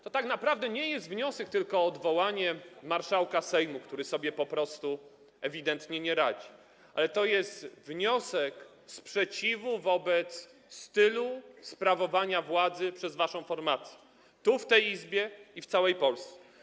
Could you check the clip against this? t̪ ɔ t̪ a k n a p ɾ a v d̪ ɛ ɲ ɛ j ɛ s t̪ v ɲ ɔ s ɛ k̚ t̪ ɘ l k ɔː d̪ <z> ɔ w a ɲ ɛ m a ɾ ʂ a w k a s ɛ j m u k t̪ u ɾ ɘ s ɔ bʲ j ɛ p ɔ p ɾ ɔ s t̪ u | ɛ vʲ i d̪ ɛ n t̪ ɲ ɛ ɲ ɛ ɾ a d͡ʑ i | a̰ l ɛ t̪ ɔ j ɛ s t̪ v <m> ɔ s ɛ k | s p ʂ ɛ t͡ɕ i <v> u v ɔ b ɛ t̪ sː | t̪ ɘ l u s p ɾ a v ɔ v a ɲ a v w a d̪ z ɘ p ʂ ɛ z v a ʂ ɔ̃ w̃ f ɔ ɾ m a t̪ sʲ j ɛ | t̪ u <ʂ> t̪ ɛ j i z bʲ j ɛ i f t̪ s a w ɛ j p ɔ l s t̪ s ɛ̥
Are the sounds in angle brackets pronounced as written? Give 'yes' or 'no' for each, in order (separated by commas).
no, no, yes, no